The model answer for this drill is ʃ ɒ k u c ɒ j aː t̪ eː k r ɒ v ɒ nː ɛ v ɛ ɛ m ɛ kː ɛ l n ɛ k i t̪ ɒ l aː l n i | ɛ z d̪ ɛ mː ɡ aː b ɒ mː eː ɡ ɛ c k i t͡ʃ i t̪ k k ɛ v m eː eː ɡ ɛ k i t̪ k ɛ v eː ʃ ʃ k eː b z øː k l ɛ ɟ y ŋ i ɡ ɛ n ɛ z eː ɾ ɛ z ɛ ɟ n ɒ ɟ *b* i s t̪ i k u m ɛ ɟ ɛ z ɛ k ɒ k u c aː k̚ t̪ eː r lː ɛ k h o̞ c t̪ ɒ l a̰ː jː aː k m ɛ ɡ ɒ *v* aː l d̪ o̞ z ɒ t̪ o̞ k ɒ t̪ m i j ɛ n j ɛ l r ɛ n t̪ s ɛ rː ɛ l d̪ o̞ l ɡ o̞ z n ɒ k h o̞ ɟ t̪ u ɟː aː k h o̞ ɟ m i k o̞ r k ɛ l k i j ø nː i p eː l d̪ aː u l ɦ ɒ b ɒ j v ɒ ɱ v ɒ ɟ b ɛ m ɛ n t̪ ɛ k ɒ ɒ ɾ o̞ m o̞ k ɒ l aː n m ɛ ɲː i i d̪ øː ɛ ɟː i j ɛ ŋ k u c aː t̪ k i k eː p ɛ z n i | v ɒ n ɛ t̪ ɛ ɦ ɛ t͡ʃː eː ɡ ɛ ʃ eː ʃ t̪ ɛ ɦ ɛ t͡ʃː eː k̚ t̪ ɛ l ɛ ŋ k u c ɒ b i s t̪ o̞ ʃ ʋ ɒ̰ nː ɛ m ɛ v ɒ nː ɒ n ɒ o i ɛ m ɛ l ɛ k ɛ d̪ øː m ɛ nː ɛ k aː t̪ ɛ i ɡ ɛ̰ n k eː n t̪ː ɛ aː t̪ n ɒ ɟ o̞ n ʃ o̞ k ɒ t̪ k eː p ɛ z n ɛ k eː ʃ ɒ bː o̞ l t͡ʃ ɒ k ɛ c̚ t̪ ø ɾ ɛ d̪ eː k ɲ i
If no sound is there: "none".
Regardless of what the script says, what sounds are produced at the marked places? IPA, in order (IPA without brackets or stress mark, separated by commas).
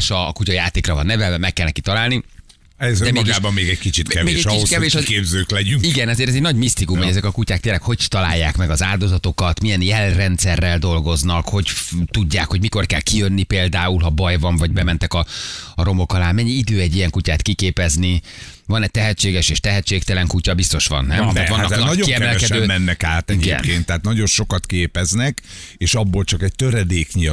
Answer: m, z